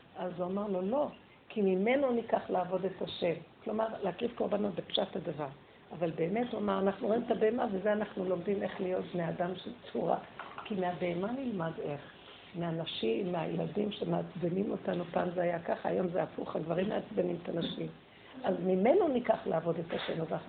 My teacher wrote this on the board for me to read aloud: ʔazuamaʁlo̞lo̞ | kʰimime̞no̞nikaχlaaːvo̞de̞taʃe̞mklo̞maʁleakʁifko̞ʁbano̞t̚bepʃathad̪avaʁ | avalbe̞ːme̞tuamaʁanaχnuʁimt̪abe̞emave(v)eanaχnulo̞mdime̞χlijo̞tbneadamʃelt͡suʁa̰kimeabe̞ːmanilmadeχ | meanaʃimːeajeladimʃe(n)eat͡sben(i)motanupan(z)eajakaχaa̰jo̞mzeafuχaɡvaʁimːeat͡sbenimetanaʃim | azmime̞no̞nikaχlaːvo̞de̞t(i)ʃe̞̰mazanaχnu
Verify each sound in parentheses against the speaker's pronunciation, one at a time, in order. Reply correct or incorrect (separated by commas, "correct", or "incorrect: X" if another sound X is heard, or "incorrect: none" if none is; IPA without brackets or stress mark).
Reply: incorrect: z, incorrect: m, correct, correct, incorrect: a